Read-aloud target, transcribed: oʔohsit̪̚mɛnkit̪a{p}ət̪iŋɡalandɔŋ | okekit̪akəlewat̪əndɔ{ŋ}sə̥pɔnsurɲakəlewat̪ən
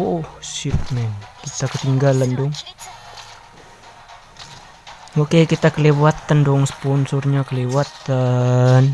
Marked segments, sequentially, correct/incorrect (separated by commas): incorrect, correct